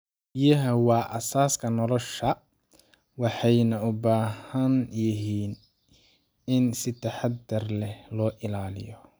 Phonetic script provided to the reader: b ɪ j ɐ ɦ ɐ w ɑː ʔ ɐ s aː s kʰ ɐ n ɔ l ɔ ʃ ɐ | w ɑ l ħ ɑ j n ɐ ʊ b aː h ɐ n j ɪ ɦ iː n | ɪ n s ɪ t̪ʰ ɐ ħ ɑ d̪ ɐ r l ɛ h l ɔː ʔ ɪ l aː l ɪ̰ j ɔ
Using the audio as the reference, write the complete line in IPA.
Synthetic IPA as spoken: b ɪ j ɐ ɦ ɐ w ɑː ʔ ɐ s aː s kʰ ɐ n ɔ l ɔ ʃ ɐ | w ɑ ħ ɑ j n ɐ ʊ b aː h ɐ n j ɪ ɦ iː n | ɪ n s ɪ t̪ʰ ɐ ħ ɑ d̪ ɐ r l ɛ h l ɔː ʔ ɪ l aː l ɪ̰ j ɔ